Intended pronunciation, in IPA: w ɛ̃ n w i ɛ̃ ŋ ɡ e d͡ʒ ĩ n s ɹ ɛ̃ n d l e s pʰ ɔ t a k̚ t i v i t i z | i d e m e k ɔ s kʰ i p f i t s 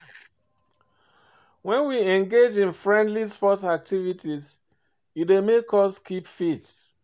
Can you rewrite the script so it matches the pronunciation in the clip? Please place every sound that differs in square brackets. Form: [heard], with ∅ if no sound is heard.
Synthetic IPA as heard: w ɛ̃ n w i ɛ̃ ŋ ɡ e d͡ʒ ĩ n [f] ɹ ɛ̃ n d l [i] s [p] ɔ t a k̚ t i v i t i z | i d e m e k ɔ s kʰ i p f i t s